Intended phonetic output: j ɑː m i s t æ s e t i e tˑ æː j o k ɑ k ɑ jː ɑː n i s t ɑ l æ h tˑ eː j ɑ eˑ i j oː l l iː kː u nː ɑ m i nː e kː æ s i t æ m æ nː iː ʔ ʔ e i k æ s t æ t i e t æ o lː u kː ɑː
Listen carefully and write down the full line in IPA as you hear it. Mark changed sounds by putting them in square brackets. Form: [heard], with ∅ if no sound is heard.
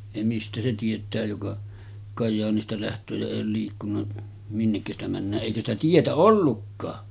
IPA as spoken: j [ɑ] m i s t æ s e t i e tˑ æː j o k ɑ k ɑ jː ɑː n i s t ɑ l æ h tˑ [øː] j ɑ eˑ i j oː l l iː kː u nː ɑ m i nː e kː æ s i t æ m æ nː [æː] ʔ ʔ e i k æ s t æ t i e t æ o lː u kː ɑː